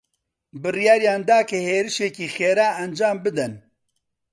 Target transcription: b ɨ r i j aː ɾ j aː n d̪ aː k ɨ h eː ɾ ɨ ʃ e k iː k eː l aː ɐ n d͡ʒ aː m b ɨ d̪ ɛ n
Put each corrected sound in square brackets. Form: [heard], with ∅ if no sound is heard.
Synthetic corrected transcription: b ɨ r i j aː ɾ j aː n d̪ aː k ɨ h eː ɾ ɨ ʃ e k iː [x] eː [ɾ] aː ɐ n d͡ʒ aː m b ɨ d̪ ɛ n